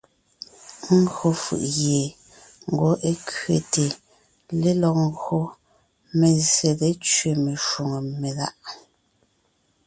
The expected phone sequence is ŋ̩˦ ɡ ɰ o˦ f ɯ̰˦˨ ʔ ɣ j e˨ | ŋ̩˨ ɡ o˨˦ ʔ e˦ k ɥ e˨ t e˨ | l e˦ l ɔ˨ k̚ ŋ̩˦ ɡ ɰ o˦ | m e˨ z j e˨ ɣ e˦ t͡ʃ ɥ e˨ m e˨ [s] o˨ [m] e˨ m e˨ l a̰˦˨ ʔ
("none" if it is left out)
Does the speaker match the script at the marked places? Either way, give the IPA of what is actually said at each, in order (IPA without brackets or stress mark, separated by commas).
ʃ, ŋ